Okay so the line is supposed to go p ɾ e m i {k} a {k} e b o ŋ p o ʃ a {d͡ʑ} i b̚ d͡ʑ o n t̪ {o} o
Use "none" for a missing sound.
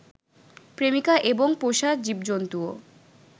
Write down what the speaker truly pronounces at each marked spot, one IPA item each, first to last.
k, ʔ, d͡ʑ, u

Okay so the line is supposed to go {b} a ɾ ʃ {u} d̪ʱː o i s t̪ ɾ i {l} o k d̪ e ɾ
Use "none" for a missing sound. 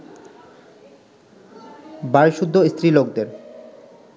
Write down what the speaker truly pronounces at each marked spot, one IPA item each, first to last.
b, u, l

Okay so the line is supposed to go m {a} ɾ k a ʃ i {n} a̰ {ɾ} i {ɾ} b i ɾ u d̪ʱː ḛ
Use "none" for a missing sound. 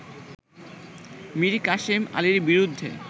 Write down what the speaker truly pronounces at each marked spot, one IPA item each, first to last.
i, m, l, ɾ

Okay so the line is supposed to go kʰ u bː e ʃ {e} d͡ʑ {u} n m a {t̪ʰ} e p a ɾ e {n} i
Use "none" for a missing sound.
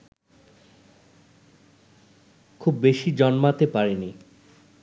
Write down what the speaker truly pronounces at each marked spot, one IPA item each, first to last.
i, ɔ, t̪, n

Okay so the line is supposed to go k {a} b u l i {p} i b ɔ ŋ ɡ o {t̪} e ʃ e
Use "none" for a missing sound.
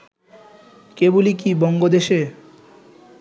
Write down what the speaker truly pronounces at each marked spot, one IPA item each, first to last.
e, k, d̪

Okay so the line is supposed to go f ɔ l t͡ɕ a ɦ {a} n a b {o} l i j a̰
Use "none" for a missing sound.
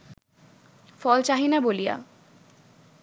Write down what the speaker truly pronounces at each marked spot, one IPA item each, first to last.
i, o

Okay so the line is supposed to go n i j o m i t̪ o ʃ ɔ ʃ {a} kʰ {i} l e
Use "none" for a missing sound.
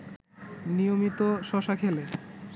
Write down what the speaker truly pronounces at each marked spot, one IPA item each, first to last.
a, e

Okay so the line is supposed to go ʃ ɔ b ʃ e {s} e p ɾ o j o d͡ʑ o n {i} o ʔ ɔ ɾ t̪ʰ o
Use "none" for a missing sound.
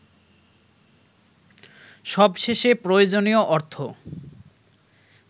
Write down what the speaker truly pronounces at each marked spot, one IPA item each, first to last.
ʃ, i

